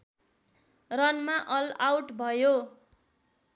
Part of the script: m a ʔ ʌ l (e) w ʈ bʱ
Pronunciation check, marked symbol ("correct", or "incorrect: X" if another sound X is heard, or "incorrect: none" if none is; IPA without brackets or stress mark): incorrect: a